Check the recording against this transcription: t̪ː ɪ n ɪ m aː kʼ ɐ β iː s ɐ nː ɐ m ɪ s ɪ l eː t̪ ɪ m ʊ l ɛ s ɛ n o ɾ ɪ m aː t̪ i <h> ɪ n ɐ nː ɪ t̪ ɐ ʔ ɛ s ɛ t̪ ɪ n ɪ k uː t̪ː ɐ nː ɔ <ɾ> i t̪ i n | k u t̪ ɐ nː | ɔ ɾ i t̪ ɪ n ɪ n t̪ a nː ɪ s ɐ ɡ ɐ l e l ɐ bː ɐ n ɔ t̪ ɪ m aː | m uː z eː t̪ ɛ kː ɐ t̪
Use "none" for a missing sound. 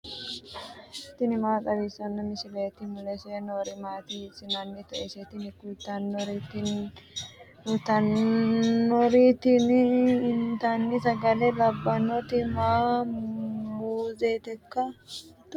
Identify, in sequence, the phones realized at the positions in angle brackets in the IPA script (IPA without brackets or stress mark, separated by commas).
s, ɾ